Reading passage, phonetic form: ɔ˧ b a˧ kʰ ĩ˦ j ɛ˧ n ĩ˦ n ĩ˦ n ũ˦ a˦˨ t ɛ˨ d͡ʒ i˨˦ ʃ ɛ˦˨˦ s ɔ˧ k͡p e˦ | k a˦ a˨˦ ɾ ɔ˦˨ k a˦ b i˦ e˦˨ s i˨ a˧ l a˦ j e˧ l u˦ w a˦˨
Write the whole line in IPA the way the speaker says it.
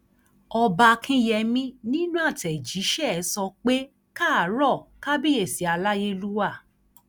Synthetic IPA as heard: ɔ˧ b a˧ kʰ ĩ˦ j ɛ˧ m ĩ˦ n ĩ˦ n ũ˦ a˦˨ t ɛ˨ d͡ʒ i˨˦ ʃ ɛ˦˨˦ s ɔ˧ k͡p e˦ | k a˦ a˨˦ ɾ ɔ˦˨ k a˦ b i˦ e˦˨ s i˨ a˧ l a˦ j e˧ l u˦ w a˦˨